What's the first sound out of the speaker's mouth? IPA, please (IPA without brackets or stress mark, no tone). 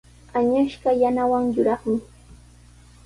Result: a